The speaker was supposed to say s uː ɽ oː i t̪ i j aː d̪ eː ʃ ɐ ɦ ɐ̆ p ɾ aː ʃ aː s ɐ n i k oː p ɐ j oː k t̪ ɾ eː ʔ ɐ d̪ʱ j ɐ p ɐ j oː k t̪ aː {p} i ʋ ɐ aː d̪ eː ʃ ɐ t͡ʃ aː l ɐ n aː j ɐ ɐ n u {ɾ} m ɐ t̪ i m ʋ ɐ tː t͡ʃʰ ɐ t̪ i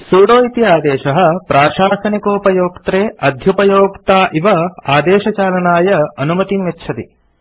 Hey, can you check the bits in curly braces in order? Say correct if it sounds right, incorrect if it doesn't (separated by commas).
incorrect, incorrect